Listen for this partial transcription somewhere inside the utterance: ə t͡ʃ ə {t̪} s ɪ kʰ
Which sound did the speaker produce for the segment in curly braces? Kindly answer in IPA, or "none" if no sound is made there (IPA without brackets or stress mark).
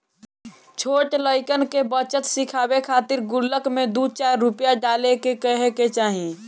t̪